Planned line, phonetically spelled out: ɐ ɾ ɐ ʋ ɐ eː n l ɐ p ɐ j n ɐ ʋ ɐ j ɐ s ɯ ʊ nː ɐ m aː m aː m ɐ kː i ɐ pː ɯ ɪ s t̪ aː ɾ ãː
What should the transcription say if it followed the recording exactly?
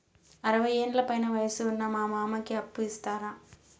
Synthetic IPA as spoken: ɐ ɾ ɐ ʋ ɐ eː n l ɐ p ɐ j n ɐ ʋ ɐ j ɐ s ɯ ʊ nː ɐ m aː m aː m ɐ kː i ɐ pː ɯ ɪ s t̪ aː ɾ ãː